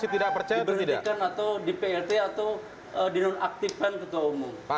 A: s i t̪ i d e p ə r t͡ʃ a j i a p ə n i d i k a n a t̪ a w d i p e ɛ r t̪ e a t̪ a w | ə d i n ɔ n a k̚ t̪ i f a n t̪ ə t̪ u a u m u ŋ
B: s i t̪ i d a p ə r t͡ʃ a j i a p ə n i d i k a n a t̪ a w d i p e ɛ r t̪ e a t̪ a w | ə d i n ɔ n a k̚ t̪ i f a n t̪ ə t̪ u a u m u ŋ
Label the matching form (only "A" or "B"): B